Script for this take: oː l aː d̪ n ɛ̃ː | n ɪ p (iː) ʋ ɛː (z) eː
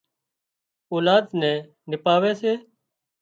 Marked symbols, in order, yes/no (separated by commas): no, no